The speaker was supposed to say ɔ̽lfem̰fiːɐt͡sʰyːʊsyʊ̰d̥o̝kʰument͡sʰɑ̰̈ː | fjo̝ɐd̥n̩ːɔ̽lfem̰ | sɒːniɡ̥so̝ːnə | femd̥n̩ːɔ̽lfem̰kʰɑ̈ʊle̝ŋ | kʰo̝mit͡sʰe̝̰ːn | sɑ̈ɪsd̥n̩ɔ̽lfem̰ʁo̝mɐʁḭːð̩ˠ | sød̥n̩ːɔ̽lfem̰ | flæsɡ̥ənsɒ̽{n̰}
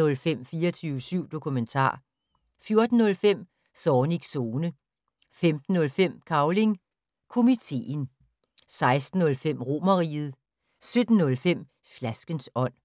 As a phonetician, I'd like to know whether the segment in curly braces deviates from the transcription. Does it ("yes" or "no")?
no